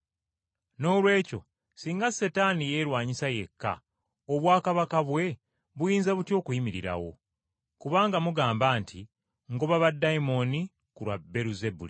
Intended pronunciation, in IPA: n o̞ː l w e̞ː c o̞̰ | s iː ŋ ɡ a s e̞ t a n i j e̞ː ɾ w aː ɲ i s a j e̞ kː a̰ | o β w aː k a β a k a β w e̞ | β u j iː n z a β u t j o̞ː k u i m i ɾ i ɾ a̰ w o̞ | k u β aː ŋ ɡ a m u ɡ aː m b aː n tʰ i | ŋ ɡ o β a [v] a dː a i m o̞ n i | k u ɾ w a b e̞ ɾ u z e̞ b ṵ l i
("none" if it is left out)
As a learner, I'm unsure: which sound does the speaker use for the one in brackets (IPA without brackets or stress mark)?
β